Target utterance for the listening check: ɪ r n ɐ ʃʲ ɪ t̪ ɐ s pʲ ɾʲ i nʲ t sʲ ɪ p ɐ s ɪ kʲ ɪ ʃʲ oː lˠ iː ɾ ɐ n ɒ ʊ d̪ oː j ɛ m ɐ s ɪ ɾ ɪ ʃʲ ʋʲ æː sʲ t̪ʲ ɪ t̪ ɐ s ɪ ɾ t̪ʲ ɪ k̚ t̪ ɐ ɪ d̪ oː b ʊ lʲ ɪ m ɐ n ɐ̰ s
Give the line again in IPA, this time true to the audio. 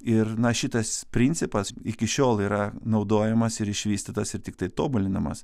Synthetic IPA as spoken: ɪ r n ɐ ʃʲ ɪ t̪ ɐ s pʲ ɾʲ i nʲ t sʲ ɪ p ɐ s ɪ kʲ ɪ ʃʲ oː lˠ iː ɾ ɐ n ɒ ʊ d̪ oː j ɛ m ɐ s ɪ ɾ ɪ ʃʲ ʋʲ iː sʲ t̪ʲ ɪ t̪ ɐ s ɪ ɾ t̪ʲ ɪ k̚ t̪ ɐ ɪ t̪ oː b ʊ lʲ ɪ n ɐ m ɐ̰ s